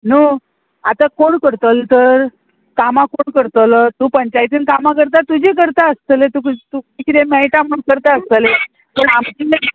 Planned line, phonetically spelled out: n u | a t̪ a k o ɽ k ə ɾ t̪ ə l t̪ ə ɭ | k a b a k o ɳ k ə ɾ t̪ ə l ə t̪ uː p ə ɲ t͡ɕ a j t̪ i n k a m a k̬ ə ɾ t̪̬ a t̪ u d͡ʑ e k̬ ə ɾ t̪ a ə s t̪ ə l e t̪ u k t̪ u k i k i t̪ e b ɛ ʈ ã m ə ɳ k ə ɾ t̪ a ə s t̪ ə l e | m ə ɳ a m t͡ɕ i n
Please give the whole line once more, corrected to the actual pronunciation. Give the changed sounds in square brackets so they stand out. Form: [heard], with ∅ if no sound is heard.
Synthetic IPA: n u | a t̪ a k o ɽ k ə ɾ t̪ ə l t̪ ə [ɾ] | k a [m] a k o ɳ k ə ɾ t̪ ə l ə t̪ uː p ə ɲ t͡ɕ a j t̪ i n k a m a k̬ ə ɾ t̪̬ a t̪ u d͡ʑ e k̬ ə ɾ t̪ a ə s t̪ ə l e t̪ u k t̪ u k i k i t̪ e [m] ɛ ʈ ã m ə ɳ k ə ɾ t̪ a ə s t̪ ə l e | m ə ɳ a m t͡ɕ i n